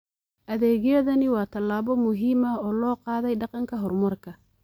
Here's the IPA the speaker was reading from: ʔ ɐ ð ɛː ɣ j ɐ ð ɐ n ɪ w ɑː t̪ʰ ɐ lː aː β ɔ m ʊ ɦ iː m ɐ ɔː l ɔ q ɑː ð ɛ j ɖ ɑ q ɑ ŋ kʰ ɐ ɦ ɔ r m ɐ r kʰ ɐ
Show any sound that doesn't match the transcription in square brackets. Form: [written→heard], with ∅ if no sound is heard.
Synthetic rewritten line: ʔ ɐ ð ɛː ɣ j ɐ ð ɐ n ɪ w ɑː t̪ʰ ɐ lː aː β ɔ m ʊ ɦ iː m ɐ ɔː l [ɔ→ɔː] q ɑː ð ɛ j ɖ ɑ q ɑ ŋ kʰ ɐ ɦ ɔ r m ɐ r kʰ ɐ